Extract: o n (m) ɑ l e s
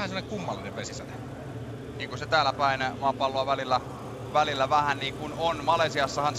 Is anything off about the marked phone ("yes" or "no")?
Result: no